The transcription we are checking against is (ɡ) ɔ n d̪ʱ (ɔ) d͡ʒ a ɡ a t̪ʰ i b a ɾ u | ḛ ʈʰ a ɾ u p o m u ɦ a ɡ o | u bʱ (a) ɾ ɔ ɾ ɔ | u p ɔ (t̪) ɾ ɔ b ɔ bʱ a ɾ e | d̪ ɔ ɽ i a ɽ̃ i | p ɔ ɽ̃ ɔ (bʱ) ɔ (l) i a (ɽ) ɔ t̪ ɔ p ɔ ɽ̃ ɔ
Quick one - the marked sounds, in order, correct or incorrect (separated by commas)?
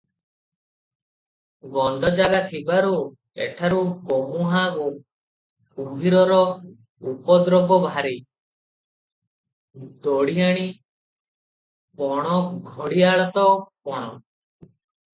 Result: correct, correct, incorrect, incorrect, incorrect, incorrect, incorrect